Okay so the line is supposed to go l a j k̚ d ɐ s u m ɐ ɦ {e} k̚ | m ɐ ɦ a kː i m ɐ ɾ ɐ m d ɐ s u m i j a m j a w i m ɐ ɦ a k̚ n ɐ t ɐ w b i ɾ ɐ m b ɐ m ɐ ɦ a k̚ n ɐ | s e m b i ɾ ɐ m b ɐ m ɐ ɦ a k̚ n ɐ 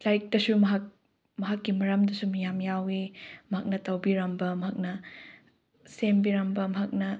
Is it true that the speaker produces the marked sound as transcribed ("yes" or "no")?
no